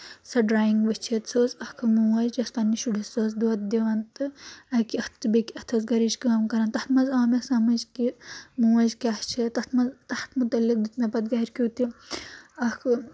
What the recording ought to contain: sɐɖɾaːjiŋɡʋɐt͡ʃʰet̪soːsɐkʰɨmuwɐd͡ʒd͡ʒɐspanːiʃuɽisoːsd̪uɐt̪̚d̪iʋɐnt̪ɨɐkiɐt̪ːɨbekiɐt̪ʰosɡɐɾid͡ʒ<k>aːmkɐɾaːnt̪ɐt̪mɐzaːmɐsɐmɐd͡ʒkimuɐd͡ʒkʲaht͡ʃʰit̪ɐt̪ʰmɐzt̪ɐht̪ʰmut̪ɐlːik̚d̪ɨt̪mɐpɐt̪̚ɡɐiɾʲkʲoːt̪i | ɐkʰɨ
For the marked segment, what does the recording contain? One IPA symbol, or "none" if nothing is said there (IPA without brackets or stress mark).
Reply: k